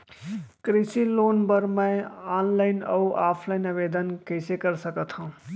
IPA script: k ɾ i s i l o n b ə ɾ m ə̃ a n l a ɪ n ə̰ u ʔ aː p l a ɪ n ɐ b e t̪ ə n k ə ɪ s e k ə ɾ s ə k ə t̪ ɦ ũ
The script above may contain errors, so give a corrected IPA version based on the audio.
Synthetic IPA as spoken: k ɾ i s i l o n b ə ɾ m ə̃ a n l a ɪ n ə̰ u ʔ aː pʰ l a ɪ n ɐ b e d̪ ə n k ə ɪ s e k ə ɾ s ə k ə t̪ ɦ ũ